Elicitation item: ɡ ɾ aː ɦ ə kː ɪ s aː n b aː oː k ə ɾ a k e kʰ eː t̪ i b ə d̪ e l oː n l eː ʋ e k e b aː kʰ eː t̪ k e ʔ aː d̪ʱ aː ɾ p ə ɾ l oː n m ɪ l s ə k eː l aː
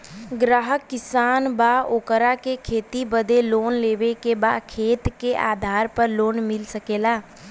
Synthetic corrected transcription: ɡ ɾ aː ɦ ə kː ɪ s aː n b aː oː k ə ɾ a k e kʰ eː t̪ i b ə d̪ e l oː n l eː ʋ e k e b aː kʰ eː t̪ k e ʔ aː d̪ʱ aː ɾ p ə ɾ l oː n m ɪ l s ə k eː l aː